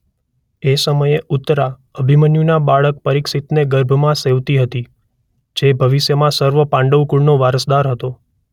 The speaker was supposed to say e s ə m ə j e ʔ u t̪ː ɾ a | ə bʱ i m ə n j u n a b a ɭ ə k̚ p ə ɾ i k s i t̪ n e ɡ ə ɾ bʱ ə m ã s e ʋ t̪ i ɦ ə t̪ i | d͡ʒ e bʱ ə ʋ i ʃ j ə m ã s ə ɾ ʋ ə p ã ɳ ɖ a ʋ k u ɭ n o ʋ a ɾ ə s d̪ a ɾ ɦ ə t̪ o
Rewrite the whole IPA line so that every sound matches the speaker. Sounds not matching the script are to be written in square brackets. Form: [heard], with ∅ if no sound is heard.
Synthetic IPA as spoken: e s ə m ə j e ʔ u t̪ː ɾ a | ə bʱ i m ə n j u n a b a ɭ ə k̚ p ə ɾ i k s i t̪ n e ɡ ə ɾ bʱ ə m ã s e ʋ t̪ i ɦ ə t̪ i | d͡ʒ e bʱ ə ʋ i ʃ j ə m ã s ə ɾ ʋ ə p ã ɳ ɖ [ə] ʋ k u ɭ n o ʋ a ɾ ə s d̪ a ɾ ɦ ə t̪ o